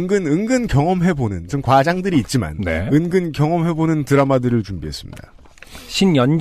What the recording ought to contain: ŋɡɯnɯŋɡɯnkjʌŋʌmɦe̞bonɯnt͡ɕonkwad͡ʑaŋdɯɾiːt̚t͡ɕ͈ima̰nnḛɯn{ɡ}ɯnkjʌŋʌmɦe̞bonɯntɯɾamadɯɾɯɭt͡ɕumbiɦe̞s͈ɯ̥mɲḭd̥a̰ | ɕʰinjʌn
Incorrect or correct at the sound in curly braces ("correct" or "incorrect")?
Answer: correct